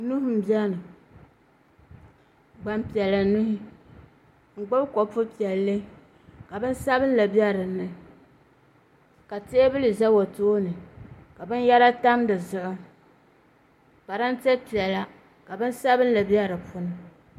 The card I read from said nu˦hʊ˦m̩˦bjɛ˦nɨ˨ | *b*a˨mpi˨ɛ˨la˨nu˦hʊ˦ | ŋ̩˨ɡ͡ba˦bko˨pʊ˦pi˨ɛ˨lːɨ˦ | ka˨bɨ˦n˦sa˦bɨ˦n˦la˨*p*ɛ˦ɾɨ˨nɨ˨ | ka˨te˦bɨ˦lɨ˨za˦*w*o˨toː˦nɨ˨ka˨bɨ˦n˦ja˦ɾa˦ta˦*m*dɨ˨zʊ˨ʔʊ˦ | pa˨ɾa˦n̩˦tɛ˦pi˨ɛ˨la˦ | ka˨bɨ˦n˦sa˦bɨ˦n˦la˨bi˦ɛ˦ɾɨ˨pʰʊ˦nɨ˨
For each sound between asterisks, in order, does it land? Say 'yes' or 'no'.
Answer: no, no, yes, yes

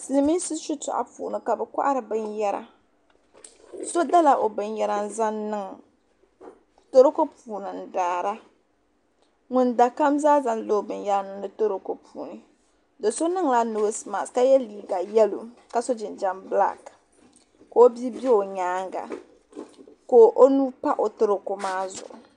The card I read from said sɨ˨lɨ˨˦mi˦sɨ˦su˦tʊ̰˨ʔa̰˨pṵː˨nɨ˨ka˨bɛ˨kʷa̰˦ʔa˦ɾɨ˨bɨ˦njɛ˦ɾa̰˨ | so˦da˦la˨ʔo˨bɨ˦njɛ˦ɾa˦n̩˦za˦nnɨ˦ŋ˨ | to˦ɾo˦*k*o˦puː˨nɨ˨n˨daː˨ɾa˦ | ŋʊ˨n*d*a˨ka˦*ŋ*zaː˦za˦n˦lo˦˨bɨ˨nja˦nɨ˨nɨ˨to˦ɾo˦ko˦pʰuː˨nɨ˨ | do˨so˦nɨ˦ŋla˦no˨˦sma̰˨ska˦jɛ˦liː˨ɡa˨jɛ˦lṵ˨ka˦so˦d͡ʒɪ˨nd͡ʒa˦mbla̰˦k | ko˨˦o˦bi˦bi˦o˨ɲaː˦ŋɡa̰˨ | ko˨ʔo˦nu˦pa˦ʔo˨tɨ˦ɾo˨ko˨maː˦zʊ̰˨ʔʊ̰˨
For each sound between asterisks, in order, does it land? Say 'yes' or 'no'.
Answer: yes, yes, no

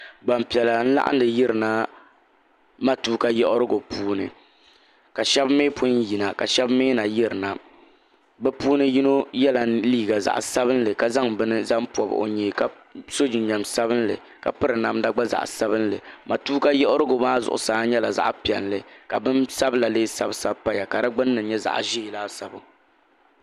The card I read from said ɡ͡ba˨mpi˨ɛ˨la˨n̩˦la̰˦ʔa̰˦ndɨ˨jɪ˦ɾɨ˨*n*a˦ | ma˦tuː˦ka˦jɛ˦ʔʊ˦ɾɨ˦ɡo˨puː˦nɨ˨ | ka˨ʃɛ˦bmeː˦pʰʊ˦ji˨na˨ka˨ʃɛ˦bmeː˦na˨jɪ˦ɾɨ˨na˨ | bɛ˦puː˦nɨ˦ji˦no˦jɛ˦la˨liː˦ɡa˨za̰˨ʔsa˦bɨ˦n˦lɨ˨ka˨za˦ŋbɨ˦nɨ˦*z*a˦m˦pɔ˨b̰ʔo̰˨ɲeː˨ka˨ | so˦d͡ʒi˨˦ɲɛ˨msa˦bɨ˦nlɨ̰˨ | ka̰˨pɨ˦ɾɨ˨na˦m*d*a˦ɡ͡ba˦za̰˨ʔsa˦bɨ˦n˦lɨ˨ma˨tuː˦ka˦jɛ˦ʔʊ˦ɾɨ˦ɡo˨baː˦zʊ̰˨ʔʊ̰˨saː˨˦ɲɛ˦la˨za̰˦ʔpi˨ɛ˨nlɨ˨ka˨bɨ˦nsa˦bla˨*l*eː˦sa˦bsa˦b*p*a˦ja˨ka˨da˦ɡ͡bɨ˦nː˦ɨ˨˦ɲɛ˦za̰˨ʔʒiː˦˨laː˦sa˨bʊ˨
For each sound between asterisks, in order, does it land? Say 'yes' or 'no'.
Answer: yes, yes, yes, yes, yes

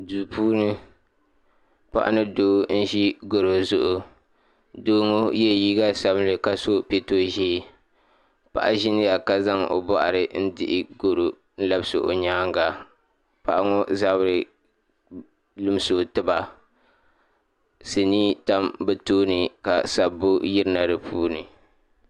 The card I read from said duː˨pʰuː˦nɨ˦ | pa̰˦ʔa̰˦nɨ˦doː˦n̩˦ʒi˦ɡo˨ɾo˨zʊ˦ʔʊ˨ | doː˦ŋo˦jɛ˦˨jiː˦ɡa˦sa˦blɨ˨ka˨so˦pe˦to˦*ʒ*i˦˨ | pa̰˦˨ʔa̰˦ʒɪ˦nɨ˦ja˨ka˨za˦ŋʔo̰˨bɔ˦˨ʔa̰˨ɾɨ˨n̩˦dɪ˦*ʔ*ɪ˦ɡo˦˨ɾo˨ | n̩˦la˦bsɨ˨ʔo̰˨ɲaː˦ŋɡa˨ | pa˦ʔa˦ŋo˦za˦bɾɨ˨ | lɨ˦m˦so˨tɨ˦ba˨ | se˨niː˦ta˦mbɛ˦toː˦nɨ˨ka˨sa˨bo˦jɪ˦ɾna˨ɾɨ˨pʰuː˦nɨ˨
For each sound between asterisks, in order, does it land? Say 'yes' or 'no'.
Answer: yes, yes

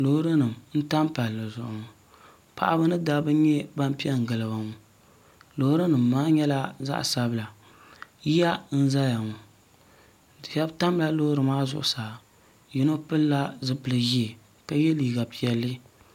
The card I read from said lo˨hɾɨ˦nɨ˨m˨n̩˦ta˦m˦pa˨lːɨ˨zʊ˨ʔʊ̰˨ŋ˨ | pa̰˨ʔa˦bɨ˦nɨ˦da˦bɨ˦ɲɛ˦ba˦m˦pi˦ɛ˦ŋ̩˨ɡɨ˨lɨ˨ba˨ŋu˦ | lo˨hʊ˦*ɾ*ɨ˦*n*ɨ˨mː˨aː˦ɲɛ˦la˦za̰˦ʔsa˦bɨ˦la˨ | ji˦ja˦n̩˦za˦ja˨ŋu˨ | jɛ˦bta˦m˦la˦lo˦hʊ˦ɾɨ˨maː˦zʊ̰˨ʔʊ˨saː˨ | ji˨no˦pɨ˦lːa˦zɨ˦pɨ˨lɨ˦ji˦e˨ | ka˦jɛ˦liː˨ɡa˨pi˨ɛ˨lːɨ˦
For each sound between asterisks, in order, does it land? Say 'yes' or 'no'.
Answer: yes, yes

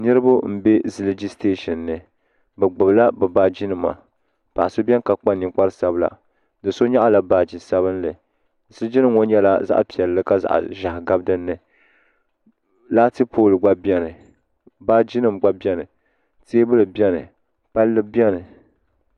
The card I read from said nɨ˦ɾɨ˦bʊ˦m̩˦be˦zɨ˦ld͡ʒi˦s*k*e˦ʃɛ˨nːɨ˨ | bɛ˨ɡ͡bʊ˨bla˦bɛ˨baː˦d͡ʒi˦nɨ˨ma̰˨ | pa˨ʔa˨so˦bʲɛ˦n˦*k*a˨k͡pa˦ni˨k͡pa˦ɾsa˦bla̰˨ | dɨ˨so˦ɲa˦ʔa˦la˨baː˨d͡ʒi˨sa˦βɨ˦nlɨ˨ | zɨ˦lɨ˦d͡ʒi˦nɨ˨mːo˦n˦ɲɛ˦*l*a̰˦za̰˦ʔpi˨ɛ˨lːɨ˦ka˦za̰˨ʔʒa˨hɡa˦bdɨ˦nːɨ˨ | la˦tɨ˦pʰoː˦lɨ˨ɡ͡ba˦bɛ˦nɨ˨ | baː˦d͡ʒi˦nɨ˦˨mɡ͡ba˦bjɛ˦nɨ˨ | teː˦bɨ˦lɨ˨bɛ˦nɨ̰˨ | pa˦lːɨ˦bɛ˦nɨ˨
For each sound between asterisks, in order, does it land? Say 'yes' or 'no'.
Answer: no, yes, yes

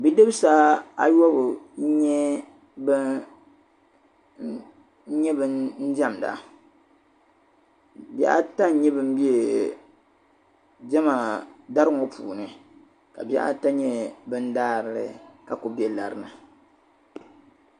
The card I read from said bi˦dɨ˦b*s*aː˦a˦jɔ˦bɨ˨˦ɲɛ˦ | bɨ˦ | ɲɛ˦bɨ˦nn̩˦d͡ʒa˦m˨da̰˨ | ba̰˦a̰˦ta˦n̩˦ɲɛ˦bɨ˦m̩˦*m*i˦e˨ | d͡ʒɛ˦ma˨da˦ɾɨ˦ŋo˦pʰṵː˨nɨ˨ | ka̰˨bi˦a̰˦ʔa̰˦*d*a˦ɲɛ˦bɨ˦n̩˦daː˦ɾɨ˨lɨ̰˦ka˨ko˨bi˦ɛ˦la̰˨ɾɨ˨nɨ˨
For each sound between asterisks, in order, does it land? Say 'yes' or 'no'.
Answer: yes, no, no

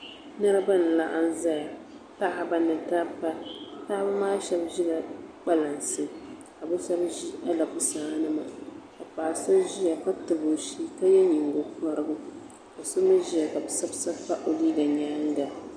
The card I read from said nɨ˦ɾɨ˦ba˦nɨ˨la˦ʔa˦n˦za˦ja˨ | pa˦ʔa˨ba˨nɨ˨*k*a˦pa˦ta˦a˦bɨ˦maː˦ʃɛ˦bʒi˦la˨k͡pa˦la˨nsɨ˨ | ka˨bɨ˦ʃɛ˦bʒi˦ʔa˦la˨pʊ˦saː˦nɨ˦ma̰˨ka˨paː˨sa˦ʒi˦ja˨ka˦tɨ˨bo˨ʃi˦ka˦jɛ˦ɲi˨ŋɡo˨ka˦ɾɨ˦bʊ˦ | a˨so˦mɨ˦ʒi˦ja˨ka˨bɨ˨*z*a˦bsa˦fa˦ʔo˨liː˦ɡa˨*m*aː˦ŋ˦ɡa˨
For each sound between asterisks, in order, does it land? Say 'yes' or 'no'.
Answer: no, no, no

